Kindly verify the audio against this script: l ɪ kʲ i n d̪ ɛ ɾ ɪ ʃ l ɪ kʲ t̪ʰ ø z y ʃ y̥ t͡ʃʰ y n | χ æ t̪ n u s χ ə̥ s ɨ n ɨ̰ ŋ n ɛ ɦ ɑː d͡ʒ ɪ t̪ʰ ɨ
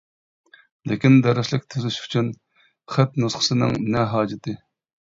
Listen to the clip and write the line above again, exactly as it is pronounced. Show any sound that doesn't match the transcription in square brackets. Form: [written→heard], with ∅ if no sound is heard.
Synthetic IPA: l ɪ kʲ i n d̪ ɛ ɾ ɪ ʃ l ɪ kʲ t̪ʰ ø z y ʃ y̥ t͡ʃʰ y n | χ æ t̪ n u s χ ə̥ s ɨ n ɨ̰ ŋ n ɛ ɦ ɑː d͡ʒ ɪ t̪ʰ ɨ